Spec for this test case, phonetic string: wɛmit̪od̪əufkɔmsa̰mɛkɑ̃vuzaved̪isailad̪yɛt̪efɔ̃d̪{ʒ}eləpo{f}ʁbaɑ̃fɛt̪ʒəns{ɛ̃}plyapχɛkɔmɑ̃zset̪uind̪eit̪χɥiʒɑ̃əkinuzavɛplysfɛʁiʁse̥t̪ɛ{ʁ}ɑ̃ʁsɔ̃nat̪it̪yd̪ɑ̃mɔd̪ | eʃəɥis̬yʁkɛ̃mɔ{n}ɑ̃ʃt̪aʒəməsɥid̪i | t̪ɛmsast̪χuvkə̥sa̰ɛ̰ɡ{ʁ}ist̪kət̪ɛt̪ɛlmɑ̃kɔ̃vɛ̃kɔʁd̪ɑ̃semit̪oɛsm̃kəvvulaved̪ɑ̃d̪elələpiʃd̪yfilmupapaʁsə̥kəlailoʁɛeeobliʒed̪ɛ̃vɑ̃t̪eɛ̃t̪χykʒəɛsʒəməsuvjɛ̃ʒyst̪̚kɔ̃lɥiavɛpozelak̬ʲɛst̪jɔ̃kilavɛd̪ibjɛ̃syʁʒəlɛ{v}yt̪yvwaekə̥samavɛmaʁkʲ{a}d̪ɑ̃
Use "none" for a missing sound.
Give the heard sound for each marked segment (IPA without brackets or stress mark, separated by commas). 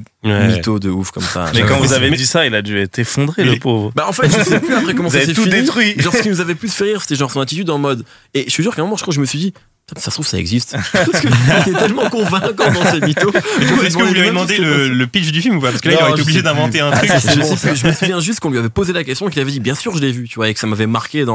ʁ, v, ɛ, ʒ, m, z, v, e